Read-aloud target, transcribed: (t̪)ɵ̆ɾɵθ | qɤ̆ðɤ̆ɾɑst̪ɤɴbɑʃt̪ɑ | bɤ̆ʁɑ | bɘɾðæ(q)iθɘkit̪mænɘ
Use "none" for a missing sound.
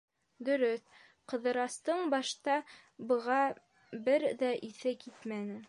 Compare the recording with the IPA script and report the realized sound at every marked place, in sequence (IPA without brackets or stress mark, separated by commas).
d̪, ʔ